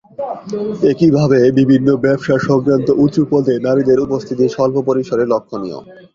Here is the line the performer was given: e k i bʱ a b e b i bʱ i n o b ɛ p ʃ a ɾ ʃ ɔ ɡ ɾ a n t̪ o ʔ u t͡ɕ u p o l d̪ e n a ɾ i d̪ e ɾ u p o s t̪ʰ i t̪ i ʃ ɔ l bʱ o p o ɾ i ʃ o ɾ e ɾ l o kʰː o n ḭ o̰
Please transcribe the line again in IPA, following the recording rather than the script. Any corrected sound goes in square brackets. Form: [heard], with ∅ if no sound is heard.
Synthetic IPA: e k i bʱ a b e b i bʱ i [nː] o b ɛ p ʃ a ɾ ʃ ɔ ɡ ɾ a n t̪ o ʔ u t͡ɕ u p o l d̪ e n a ɾ i d̪ e ɾ u p o s t̪ʰ i t̪ i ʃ ɔ l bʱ o p o ɾ i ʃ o ɾ e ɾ l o kʰː o n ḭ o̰